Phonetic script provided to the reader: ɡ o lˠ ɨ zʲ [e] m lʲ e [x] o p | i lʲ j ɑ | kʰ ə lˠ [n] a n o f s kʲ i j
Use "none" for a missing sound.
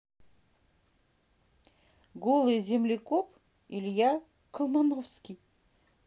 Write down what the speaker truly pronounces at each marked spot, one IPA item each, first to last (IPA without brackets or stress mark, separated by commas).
e, k, m